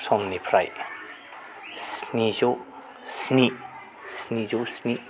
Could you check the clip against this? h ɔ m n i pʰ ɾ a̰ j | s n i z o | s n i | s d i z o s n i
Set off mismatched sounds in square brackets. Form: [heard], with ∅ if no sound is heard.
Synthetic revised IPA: [s] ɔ m n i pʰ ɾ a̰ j | s n i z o | s n i | s [n] i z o s n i

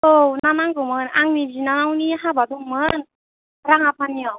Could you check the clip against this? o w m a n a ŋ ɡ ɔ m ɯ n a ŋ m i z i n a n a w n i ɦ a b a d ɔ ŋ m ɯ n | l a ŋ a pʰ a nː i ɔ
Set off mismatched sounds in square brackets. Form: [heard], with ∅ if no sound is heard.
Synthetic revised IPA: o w [n] a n a ŋ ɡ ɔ m ɯ n a ŋ [n] i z i n a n a w n i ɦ a b a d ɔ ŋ m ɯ n | [ɾ] a ŋ a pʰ a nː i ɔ

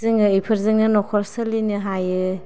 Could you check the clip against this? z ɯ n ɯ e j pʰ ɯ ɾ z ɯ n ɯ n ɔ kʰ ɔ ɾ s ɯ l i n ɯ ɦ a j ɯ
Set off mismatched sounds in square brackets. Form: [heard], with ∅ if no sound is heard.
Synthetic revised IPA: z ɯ [ŋ] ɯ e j pʰ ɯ ɾ z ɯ [ŋ] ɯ n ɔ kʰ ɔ ɾ s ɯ l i n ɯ ɦ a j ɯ

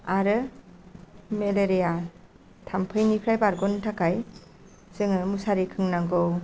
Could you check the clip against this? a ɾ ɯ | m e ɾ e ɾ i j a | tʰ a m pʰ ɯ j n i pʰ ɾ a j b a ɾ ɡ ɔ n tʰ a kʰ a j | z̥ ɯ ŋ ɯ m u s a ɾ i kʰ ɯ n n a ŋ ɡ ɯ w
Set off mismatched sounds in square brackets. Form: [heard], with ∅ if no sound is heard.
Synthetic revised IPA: a ɾ ɯ | m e [l] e ɾ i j a | tʰ a m pʰ ɯ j n i pʰ ɾ a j b a ɾ ɡ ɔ n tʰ a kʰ a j | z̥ ɯ ŋ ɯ m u s a ɾ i kʰ ɯ [ŋ] n a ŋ ɡ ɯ w

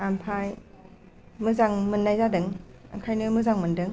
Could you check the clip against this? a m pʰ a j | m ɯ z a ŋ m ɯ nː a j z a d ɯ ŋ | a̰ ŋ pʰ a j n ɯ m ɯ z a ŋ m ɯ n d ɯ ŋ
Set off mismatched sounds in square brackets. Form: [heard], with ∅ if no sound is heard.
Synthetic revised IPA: a m pʰ a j | m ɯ z a ŋ m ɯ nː a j z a d ɯ ŋ | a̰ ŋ [kʰ] a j n ɯ m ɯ z a ŋ m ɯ n d ɯ ŋ

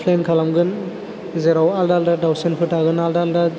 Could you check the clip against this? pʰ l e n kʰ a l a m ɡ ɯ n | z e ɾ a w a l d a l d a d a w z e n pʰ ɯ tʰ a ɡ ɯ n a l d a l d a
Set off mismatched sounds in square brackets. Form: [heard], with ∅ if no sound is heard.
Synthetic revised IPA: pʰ l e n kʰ a l a m ɡ ɯ n | z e ɾ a w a l d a l d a d a w [s] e n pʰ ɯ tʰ a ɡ ɯ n a l d a l d a

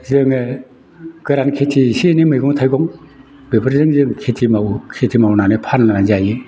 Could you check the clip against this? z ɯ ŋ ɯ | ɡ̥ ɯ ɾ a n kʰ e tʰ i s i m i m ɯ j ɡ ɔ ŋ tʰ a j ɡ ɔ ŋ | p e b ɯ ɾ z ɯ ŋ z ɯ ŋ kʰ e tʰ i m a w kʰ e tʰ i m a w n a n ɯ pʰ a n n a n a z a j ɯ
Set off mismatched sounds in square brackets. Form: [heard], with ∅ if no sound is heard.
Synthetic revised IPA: z ɯ ŋ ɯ | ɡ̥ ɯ ɾ a n kʰ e tʰ i s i [n] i m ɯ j ɡ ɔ ŋ tʰ a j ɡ ɔ ŋ | [b] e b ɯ ɾ z ɯ ŋ z ɯ ŋ kʰ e tʰ i m a w kʰ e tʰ i m a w n a n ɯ pʰ a n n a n a z a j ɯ

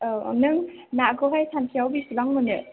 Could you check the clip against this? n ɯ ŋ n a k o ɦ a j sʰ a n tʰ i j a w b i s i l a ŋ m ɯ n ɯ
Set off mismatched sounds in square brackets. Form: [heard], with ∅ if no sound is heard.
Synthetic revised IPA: n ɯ ŋ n a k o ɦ a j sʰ a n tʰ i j a w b i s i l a ŋ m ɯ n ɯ

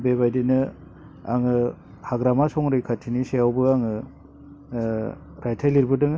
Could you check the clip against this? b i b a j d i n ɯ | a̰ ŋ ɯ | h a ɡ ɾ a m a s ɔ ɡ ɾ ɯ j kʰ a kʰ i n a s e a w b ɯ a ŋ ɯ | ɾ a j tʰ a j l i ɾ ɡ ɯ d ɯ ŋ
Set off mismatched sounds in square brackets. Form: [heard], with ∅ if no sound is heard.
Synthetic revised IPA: b [e] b a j d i n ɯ | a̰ ŋ ɯ | h a ɡ ɾ a m a s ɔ [ŋ] ɾ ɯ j kʰ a [tʰ] i n [i] s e a w b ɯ a ŋ ɯ | ɾ a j tʰ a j l i ɾ [b] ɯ d ɯ ŋ

